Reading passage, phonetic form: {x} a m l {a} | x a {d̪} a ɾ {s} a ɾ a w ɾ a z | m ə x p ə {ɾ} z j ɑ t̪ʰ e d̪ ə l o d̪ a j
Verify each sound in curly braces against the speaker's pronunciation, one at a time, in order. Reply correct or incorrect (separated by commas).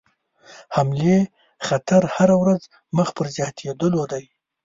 incorrect, incorrect, incorrect, incorrect, correct